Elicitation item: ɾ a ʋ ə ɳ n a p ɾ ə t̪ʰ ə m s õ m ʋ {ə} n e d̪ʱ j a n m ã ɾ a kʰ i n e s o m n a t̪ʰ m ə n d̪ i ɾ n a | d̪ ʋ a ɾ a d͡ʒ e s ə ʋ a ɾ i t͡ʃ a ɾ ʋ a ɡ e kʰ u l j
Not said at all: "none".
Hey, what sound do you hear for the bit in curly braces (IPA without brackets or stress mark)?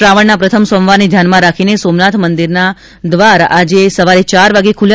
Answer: a